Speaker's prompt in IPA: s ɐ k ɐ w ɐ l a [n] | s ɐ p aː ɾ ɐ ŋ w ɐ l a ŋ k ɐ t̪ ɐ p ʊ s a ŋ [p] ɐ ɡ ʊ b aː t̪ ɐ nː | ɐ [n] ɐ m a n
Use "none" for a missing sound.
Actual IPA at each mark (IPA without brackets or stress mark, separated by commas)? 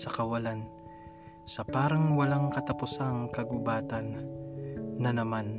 n, k, n